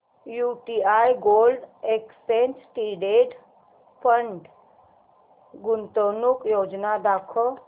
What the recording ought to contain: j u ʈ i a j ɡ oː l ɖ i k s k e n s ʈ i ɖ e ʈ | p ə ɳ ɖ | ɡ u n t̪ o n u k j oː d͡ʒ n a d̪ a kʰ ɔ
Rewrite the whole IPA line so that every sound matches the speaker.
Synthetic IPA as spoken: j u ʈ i a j ɡ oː l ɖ e k s p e n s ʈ i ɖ e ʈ | p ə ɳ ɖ | ɡ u n t̪ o n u k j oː d͡ʒ n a d̪ a kʰ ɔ